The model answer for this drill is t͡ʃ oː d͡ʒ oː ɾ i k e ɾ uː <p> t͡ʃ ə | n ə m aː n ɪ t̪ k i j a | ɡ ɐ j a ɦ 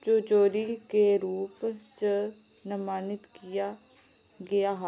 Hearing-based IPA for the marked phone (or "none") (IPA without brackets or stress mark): p